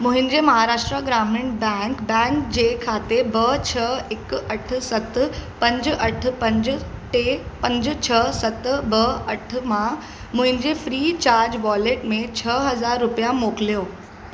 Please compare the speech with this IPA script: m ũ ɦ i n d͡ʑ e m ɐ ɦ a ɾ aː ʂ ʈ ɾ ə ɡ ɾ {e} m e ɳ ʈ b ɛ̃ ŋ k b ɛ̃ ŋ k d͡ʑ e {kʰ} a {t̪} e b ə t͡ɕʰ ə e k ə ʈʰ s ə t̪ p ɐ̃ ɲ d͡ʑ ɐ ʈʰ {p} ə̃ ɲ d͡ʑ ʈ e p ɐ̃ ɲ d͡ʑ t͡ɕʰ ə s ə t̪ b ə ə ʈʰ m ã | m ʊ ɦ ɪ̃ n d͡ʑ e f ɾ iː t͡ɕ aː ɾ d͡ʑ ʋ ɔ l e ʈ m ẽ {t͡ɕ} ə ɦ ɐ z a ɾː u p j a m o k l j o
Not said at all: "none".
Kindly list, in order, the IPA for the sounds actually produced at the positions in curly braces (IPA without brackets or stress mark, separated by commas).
a, kʰ, t̪, p, t͡ɕʰ